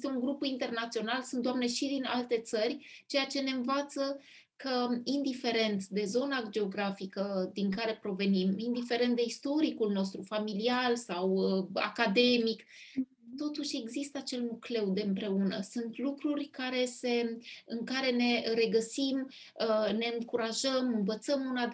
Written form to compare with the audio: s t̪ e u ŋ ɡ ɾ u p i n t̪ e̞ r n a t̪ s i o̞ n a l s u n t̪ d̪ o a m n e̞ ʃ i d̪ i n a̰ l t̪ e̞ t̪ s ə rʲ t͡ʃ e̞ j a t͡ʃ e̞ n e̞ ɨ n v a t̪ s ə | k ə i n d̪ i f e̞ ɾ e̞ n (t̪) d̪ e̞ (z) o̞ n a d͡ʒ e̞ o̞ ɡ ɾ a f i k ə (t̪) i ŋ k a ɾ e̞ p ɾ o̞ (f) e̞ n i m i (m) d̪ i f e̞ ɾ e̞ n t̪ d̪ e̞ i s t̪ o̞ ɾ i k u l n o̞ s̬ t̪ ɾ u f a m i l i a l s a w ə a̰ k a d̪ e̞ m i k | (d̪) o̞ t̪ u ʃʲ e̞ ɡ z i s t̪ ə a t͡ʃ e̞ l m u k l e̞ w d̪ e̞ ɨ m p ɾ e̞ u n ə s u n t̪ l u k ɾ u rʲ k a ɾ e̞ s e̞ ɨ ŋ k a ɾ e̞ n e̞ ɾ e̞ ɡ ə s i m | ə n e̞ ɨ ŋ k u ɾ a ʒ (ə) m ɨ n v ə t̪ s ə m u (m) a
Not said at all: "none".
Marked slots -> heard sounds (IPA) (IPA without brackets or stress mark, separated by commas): t̪, z, d̪, v, n, t̪, ə, n